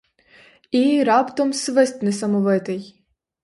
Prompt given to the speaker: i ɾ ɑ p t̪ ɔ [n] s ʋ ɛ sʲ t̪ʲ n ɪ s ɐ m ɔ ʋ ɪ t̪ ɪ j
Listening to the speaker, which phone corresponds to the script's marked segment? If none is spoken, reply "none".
m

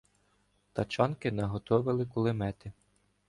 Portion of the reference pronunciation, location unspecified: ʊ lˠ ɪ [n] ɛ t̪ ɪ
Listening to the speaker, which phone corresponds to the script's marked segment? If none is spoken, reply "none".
m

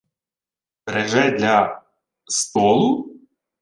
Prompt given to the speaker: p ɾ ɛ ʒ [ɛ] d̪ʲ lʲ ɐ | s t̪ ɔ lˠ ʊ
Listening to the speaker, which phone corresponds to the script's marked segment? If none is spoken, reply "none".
ɛ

